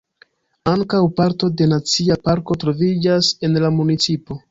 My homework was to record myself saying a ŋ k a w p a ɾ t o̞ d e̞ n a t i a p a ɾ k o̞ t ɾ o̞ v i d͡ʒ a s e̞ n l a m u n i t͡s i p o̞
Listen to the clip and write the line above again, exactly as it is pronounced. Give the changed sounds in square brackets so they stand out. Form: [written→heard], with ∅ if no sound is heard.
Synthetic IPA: a ŋ k a w p a ɾ t o̞ d e̞ n a [t→t͡s] i a p a ɾ k o̞ t ɾ o̞ v i d͡ʒ a s e̞ n l a m u n i t͡s i p o̞